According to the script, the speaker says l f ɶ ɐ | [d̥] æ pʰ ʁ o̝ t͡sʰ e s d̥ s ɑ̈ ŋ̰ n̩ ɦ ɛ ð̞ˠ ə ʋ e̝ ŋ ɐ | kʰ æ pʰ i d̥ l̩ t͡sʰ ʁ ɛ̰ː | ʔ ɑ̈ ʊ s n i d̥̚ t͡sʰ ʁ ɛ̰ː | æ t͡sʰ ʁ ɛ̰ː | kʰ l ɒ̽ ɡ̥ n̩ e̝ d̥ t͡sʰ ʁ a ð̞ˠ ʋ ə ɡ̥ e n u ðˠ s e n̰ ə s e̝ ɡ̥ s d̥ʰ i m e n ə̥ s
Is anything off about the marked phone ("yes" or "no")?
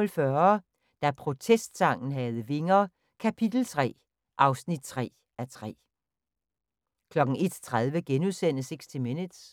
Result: no